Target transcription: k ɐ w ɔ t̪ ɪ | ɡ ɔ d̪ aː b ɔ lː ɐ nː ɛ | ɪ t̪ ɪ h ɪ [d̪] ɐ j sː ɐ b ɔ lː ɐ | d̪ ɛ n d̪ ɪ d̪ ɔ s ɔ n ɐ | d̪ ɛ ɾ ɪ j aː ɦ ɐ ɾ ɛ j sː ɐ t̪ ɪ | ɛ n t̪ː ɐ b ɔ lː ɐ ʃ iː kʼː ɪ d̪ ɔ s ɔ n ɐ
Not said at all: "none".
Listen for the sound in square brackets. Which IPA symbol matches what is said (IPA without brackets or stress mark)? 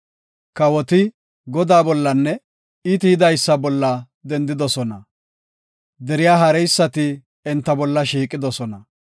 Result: d̪